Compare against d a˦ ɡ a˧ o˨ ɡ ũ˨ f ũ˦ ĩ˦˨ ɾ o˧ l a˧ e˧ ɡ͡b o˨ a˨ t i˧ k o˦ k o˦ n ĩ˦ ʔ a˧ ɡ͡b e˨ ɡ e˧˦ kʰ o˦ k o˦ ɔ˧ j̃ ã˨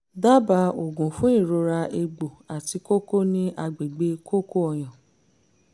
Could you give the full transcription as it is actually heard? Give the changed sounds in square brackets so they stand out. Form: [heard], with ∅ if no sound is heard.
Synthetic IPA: d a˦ [b] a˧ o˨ ɡ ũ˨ f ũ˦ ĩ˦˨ ɾ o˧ [ɾ] a˧ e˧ ɡ͡b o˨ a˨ t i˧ k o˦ k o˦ n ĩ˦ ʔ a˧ ɡ͡b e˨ [ɡ͡b] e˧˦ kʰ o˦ k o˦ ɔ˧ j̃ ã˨